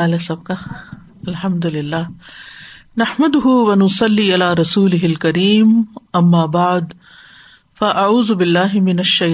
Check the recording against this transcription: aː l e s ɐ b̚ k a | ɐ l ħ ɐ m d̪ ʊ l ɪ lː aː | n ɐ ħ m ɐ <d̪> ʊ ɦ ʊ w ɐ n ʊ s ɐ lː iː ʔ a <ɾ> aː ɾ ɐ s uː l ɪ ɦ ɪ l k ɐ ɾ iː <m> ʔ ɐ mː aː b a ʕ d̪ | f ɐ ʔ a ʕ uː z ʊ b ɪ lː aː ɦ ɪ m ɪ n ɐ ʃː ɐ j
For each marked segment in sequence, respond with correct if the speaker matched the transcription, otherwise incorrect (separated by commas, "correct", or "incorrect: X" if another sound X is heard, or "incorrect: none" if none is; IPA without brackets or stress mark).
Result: correct, incorrect: l, correct